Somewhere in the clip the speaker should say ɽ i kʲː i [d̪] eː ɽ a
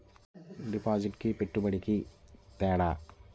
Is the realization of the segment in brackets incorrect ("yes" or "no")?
yes